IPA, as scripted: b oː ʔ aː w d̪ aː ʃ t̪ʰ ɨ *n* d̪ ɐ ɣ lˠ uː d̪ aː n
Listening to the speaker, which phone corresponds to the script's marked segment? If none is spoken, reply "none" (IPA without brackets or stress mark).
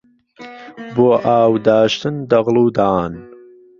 n